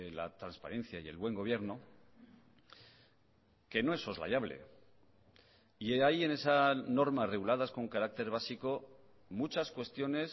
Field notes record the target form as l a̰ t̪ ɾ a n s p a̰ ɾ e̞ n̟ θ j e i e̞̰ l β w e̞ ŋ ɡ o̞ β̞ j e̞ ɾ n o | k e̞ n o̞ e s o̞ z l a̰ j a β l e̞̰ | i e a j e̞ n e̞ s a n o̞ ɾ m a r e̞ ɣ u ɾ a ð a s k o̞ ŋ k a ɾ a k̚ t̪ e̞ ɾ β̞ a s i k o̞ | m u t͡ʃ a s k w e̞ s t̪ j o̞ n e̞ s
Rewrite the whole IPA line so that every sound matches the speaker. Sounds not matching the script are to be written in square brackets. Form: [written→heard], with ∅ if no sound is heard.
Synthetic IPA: l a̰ t̪ ɾ a n s p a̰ ɾ e̞ n̟ θ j [e→a] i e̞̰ l β w e̞ ŋ ɡ o̞ β̞ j e̞ ɾ n o | k e̞ n o̞ e s o̞ z l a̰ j a β l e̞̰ | i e a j e̞ n e̞ s a n o̞ ɾ m a r e̞ ɣ u [ɾ→l] a ð a s k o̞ ŋ k a ɾ a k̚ t̪ e̞ ɾ β̞ a s i k o̞ | m u t͡ʃ a s k w e̞ s t̪ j o̞ n e̞ s